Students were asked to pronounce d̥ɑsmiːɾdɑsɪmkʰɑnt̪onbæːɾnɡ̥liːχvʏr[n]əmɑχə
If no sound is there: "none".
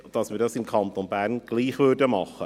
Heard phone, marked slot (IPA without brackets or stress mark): d